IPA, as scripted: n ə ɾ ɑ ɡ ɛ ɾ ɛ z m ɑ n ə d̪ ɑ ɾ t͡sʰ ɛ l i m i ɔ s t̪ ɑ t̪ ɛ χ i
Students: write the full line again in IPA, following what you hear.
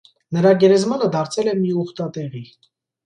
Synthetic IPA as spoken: n ə ɾ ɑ ɡ ɛ ɾ ɛ z m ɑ n ə d̪ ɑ ɾ t͡sʰ ɛ l ɛ m i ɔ χ t̪ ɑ t̪ ɛ ʁ i